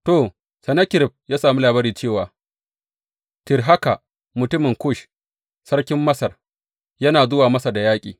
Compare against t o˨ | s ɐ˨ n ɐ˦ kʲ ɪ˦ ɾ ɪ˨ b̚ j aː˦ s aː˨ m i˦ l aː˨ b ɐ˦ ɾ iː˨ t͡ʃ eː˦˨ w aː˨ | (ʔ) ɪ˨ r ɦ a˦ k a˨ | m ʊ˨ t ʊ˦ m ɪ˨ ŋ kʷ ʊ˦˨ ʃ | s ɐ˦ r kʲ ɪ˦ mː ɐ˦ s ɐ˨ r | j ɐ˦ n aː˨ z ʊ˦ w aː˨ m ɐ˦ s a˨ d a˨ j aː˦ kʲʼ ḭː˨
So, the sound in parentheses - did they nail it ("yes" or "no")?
no